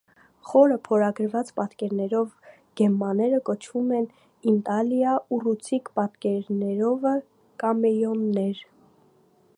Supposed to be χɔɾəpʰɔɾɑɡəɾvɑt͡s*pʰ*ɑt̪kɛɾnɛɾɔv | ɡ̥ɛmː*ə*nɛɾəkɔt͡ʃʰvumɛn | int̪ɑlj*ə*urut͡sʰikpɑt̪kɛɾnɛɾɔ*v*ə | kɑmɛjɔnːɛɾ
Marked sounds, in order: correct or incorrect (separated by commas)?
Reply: incorrect, incorrect, incorrect, correct